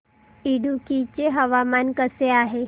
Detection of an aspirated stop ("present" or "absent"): absent